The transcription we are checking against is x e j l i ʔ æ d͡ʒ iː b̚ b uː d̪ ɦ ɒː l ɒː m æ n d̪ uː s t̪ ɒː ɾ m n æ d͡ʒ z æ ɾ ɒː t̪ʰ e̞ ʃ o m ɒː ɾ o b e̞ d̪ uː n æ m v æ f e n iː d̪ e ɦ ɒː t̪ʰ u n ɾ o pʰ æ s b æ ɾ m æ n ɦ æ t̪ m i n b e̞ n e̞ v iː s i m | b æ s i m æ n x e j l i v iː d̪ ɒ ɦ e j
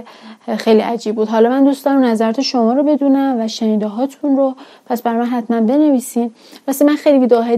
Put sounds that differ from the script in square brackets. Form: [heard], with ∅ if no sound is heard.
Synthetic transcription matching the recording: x e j l i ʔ æ d͡ʒ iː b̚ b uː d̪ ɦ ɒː l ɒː m æ n d̪ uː s t̪ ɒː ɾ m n æ [∅] z æ ɾ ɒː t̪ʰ e̞ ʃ o m ɒː ɾ o b e̞ d̪ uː n æ m v æ [ʃ] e n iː d̪ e ɦ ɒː t̪ʰ u n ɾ o pʰ æ s b æ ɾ m æ n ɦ æ t̪ m [æ] n b e̞ n e̞ v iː s i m | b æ s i m æ n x e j l i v iː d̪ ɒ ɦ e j